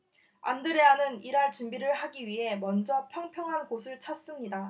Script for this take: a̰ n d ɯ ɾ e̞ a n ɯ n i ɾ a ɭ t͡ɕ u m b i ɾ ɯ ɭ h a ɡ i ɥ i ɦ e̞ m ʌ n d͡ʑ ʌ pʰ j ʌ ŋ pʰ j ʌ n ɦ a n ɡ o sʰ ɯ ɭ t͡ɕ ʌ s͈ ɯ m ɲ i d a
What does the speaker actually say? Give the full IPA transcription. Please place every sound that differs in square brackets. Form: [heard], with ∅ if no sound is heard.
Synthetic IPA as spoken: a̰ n d ɯ ɾ e̞ a n ɯ n i ɾ a ɭ t͡ɕ u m b i ɾ ɯ ɭ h a ɡ i ɥ i ɦ e̞ m ʌ n d͡ʑ ʌ pʰ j ʌ ŋ pʰ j ʌ [ŋ] ɦ a n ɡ o sʰ ɯ ɭ [t͡ɕʰ] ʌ s͈ ɯ m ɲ i d a